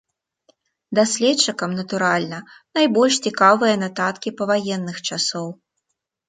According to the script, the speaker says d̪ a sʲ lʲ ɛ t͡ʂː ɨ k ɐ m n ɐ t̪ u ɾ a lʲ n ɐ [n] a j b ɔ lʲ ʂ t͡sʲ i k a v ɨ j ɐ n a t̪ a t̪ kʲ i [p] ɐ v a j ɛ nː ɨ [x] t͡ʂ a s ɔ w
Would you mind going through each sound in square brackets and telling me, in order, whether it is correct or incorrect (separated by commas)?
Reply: correct, correct, correct